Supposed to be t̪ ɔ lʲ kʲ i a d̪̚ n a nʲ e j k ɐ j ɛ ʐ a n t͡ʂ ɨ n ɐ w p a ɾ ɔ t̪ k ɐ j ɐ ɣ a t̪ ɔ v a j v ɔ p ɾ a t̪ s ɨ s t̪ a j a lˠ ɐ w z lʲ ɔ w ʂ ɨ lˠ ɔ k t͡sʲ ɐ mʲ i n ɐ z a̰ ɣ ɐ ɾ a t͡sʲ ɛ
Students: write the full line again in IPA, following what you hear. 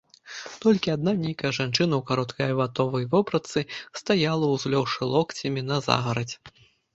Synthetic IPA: t̪ ɔ lʲ kʲ i a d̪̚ n a nʲ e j k ɐ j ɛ ʐ a n t͡ʂ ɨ n ɐ w k a ɾ ɔ t̪ k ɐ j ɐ v a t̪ ɔ v ɐ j v ɔ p ɾ ɐ t̪ s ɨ s t̪ a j a lˠ ɐ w z lʲ ɔ w ʂ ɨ lˠ ɔ k t͡sʲ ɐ mʲ i n ɐ z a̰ ɣ ɐ ɾ ɐ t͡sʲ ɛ